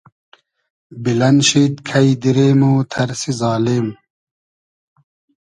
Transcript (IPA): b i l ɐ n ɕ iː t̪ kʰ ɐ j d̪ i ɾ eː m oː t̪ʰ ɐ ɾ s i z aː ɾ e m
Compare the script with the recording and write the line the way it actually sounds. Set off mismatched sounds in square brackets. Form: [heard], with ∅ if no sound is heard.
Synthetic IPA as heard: b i l ɐ n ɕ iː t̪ kʰ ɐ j d̪ i ɾ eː m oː t̪ʰ ɐ ɾ s i z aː [l] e m